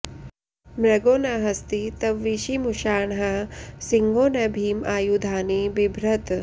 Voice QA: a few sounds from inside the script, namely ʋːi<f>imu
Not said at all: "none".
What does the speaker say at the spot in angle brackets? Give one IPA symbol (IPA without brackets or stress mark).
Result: ʃ